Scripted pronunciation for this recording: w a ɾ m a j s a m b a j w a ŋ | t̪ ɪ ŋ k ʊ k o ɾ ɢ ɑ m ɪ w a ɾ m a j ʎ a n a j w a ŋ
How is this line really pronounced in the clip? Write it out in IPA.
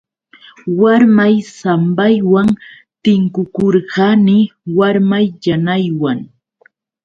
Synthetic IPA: w a ɾ m a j s a m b a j w a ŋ | t̪ ɪ ŋ k ʊ k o ɾ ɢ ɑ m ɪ w a ɾ m a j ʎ a n a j w a ŋ

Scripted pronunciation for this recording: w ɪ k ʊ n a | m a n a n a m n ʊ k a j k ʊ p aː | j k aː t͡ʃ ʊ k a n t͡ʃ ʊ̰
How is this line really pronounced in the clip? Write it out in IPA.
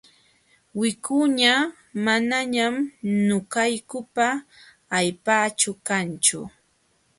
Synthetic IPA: w ɪ k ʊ ɲ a | m a n a ɲ a m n ʊ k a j k ʊ p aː | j p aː t͡ʃ ʊ k a n t͡ʃ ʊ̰

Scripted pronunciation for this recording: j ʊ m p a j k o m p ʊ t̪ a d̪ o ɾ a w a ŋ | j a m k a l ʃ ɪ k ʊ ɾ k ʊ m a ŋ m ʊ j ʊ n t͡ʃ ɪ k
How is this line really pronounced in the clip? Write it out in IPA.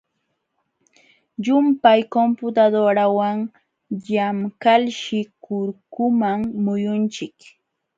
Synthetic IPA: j ʊ m p a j k o m p ʊ t̪ a d̪ o ɾ a w a ŋ | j a m k a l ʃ ɪ k ʊ ɾ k ʊ m a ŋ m ʊ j ʊ n t͡ʃ ɪ k

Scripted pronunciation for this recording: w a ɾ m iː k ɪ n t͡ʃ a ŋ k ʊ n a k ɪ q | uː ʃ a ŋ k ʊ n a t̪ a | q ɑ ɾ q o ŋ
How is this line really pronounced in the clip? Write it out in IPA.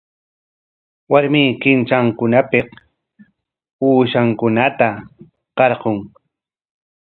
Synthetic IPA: w a ɾ m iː k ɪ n t͡ʃ a ŋ k ʊ n a p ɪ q | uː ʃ a ŋ k ʊ n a t̪ a | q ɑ ɾ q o ŋ

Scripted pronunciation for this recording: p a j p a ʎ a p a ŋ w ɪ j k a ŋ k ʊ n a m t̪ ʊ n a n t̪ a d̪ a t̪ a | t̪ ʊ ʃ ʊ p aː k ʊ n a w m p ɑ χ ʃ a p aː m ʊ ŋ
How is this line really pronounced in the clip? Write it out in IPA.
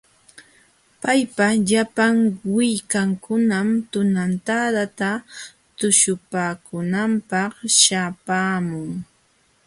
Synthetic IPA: p a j p a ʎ a p a ŋ w ɪ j k a ŋ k ʊ n a m t̪ ʊ n a n t̪ a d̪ a t̪ a | t̪ ʊ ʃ ʊ p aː k ʊ n a m p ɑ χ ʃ a p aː m ʊ ŋ

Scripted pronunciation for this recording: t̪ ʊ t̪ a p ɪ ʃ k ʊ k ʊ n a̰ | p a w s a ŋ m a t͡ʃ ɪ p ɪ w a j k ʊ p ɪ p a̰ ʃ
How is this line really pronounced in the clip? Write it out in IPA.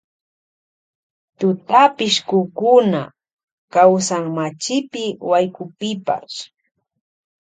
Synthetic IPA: t̪ ʊ t̪ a p ɪ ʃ k ʊ k ʊ n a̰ | k a w s a ŋ m a t͡ʃ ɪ p ɪ w a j k ʊ p ɪ p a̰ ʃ

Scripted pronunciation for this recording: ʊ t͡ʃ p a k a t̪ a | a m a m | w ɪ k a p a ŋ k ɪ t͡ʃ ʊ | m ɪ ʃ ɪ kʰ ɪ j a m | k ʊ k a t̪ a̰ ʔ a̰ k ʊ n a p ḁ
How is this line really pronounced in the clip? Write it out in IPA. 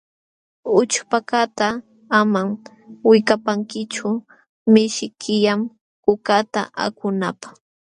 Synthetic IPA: ʊ t͡ʃ p a k a t̪ a | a m a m | w ɪ k a p a ŋ k ɪ t͡ʃ ʊ | m ɪ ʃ ɪ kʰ ɪ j a m | k ʊ k a t̪ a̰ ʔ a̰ k ʊ n a p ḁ

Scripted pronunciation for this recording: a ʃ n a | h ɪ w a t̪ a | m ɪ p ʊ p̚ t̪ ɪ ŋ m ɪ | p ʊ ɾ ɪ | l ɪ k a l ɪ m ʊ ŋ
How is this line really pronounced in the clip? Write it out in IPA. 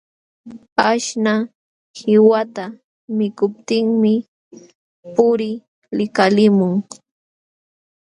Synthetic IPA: a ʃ n a | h ɪ w a t̪ a | m ɪ k ʊ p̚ t̪ ɪ ŋ m ɪ | p ʊ ɾ ɪ | l ɪ k a l ɪ m ʊ ŋ

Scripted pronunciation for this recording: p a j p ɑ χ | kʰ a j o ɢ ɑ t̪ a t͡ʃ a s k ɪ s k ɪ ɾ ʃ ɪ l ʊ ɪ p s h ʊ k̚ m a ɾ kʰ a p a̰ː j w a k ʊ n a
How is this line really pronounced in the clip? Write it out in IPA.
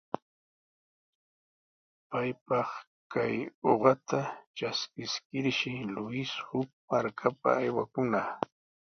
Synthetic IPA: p a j p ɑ χ | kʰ a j o ɢ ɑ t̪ a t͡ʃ a s k ɪ s k ɪ ɾ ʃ ɪ l ʊ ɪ s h ʊ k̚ m a ɾ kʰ a p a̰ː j w a k ʊ n a

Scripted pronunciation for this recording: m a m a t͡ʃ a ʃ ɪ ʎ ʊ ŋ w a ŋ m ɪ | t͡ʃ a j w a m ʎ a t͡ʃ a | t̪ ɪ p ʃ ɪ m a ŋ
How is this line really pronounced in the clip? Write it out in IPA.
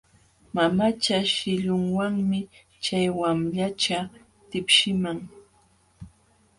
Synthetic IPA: m a m a t͡ʃ a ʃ ɪ ʎ ʊ ŋ w a ŋ m ɪ | t͡ʃ a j w a m ʎ a t͡ʃ a | t̪ ɪ p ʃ ɪ m a ŋ

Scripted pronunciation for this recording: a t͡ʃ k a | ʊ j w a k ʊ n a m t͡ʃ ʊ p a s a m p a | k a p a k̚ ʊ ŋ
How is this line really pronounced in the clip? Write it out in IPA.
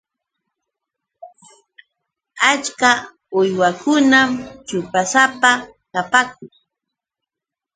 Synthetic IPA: a t͡ʃ k a | ʊ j w a k ʊ n a m t͡ʃ ʊ p a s a p a | k a p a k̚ ʊ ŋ

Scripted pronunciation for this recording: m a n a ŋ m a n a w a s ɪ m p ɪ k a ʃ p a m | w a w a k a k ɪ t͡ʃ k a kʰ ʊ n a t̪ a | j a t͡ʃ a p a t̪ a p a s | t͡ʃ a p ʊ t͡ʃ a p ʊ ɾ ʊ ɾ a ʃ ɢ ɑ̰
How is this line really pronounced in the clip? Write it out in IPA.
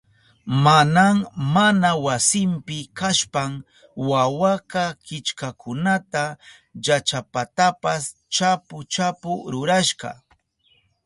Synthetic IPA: m a n a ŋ m a n a w a s ɪ m p ɪ k a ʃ p a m | w a w a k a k ɪ t͡ʃ k a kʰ ʊ n a t̪ a | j a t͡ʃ a p a t̪ a p a s | t͡ʃ a p ʊ t͡ʃ a p ʊ ɾ ʊ ɾ a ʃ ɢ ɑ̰

